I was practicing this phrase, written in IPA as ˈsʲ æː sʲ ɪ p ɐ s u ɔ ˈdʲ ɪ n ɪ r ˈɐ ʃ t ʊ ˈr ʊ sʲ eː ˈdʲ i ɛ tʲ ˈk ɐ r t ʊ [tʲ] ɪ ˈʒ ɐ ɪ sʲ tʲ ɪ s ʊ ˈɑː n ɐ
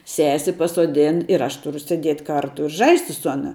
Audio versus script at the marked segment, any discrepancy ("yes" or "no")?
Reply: yes